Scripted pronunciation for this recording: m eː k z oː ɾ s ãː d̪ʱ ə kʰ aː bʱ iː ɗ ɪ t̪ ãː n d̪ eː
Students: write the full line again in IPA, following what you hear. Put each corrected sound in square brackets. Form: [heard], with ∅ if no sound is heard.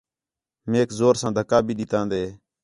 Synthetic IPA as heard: m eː k z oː ɾ s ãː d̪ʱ ə [k] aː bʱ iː ɗ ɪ t̪ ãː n d̪ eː

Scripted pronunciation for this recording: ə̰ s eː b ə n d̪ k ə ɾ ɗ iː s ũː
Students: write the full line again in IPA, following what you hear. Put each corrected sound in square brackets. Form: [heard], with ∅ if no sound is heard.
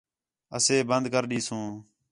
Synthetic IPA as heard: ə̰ s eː b ə n d̪ k ə ɾ ɗ iː s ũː

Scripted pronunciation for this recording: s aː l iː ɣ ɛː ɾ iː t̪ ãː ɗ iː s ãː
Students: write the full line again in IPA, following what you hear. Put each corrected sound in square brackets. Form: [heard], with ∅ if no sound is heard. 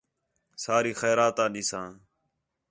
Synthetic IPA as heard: s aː [ɾ] iː [x] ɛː ɾ [aː] t̪ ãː ɗ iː s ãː

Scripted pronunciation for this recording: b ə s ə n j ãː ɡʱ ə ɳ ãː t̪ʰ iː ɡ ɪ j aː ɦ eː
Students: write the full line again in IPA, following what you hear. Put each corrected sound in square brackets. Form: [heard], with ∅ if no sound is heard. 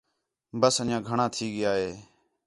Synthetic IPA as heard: b ə s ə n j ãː ɡʱ ə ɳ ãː t̪ʰ iː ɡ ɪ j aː ɦ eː

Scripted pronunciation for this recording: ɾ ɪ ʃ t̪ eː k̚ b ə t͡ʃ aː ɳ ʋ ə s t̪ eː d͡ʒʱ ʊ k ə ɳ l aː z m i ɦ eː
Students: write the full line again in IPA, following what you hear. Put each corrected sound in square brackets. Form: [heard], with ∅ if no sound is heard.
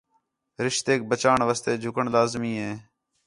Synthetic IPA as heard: ɾ ɪ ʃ t̪ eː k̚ b ə t͡ʃ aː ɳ ʋ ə s t̪ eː d͡ʒʱ ʊ k ə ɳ l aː z m [iː] ɦ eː

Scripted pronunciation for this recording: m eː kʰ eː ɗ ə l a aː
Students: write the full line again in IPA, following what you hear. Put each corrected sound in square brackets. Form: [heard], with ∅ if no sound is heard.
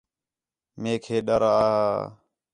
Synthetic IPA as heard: m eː kʰ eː ɗ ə [ɾ] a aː

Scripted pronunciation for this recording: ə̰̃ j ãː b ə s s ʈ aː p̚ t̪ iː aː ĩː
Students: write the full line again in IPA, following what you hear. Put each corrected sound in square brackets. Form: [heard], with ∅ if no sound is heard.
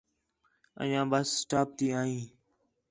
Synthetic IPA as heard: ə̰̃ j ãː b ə s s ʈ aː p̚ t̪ iː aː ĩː

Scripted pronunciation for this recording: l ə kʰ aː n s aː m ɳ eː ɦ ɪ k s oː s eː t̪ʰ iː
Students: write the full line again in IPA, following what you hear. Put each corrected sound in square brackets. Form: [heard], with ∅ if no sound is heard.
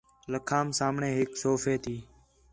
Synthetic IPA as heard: l ə kʰ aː [m] s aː m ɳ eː ɦ ɪ k s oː [f] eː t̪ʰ iː

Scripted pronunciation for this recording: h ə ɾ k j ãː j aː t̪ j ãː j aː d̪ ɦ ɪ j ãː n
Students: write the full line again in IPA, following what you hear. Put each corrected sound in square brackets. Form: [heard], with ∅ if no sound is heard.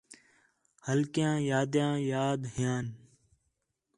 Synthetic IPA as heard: h ə [l] k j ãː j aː [d̪] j ãː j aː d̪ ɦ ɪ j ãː n

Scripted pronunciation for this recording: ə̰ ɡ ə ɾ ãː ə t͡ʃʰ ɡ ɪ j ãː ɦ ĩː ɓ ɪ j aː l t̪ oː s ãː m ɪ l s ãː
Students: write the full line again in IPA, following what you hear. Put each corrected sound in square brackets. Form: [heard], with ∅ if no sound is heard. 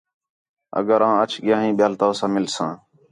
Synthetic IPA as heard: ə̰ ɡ ə ɾ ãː ə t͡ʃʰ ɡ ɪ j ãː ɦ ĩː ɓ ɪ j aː l t̪ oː s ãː m ɪ l s ãː

